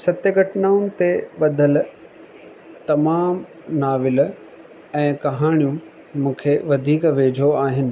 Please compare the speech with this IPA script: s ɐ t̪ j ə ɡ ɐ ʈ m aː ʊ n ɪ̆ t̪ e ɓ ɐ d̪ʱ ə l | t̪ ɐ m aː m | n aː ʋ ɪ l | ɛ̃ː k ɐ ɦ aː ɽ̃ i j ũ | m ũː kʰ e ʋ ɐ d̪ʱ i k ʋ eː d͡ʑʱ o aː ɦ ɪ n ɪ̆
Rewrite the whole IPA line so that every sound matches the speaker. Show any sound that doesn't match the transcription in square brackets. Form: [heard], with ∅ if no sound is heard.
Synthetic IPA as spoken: s ɐ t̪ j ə ɡ ɐ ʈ [n] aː ʊ n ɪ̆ t̪ e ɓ ɐ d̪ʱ ə l | t̪ ɐ m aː m | n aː ʋ ɪ l | ɛ̃ː k ɐ ɦ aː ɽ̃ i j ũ | m ũː kʰ e ʋ ɐ d̪ʱ [iː] k ʋ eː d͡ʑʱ o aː ɦ ɪ n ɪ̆